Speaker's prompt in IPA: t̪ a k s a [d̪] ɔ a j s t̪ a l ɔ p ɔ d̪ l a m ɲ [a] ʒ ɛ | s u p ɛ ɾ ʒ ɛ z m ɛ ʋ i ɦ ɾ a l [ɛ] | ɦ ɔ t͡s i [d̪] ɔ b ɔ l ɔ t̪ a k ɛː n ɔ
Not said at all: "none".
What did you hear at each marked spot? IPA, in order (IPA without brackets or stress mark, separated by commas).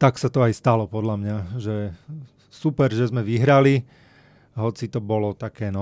t̪, a, i, t̪